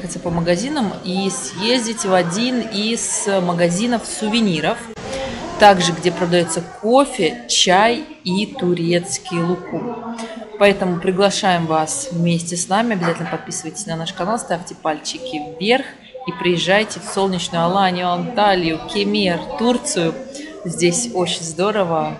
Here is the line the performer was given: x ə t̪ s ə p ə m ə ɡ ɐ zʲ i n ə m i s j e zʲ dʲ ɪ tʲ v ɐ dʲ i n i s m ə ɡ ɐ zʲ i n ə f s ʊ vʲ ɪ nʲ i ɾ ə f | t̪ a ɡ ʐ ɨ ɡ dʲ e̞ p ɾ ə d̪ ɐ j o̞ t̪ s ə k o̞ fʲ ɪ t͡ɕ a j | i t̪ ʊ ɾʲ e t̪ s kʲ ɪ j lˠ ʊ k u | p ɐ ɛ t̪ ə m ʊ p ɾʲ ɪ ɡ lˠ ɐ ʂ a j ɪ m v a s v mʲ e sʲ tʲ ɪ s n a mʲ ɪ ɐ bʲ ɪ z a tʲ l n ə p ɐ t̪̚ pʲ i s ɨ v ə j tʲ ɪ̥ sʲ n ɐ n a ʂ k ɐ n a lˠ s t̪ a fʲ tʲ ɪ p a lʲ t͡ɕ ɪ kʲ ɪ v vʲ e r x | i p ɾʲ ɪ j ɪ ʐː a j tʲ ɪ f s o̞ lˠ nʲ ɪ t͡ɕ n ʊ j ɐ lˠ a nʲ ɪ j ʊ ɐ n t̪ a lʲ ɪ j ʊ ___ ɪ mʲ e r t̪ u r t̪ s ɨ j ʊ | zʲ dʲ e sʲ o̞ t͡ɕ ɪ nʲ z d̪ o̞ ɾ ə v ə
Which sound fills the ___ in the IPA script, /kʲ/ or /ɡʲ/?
kʲ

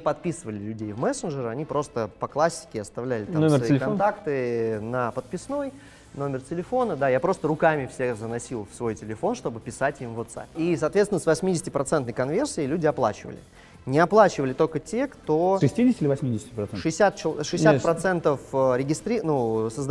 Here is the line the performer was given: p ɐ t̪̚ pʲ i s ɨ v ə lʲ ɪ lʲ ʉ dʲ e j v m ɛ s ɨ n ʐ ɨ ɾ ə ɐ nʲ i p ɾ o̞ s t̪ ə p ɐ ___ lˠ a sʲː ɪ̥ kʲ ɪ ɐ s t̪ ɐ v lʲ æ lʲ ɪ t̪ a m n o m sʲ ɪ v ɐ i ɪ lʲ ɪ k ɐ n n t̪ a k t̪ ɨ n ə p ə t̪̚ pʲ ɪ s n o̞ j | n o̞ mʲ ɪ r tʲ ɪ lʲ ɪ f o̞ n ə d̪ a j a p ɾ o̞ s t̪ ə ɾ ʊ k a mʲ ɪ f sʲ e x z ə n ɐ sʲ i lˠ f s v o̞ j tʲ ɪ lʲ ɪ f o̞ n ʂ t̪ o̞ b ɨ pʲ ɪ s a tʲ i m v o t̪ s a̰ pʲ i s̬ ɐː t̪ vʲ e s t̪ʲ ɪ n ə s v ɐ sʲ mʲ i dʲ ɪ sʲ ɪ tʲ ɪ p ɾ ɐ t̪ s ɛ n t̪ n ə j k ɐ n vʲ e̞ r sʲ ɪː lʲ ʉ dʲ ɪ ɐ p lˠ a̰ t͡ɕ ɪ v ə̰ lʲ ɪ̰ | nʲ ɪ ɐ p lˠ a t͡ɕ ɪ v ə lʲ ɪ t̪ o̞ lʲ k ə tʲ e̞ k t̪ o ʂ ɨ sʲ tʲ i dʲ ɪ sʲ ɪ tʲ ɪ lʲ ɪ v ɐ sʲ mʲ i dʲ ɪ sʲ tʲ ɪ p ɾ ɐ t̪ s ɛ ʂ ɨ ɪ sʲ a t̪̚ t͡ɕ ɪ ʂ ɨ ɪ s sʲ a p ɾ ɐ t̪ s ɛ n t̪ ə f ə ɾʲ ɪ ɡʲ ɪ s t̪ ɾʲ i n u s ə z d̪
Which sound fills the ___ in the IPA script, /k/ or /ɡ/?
k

